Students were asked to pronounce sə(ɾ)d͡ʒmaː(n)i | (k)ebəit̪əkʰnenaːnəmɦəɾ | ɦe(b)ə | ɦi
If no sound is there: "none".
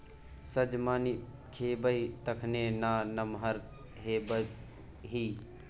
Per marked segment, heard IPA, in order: none, n, kʰ, b

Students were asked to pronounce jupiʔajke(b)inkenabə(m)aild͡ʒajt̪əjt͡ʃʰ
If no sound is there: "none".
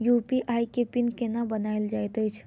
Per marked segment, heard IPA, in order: p, n

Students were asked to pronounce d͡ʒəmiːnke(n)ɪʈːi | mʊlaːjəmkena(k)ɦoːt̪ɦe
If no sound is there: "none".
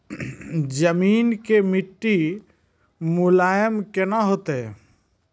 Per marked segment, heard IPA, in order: m, none

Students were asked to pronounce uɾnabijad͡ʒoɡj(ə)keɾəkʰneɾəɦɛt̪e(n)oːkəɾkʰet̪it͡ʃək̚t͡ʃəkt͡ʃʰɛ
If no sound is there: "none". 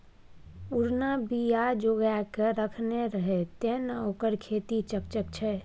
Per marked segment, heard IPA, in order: a, n

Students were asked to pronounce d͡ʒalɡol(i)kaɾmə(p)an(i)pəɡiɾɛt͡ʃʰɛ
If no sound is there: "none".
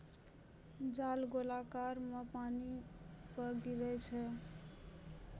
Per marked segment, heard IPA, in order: a, p, i

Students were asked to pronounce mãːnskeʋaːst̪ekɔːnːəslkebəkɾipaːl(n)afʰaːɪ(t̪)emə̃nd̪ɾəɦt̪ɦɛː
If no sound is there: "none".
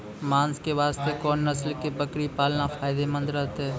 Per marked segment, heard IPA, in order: n, d̪

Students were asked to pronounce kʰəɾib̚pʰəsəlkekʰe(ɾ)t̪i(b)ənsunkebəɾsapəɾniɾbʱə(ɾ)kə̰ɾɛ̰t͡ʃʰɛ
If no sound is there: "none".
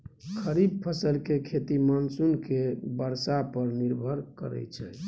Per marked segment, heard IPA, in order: none, m, ɾ

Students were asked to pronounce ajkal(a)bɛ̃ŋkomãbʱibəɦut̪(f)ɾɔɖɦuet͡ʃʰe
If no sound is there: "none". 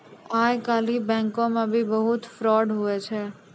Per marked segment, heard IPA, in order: i, f

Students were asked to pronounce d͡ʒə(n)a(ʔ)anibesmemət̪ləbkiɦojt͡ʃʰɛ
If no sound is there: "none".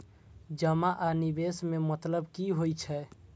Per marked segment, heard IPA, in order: m, ʔ

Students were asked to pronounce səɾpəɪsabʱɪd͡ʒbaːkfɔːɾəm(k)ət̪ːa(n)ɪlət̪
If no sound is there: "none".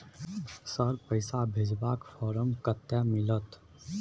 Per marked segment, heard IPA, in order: k, m

